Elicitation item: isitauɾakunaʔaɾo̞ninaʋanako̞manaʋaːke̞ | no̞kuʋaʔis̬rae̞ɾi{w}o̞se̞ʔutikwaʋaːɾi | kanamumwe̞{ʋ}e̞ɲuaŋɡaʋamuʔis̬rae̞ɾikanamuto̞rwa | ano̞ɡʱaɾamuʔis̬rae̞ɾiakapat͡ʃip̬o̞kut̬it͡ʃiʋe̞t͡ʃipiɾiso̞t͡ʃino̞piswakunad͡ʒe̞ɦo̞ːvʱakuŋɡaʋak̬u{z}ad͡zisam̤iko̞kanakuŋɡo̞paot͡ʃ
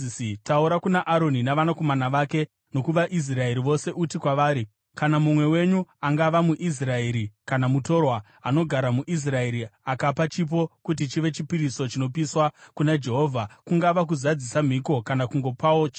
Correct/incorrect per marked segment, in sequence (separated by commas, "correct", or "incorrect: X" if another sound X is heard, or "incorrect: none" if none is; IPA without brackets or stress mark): incorrect: ʋ, incorrect: w, correct